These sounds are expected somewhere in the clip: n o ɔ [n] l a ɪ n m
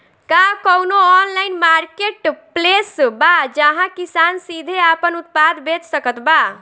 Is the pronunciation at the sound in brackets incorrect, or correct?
correct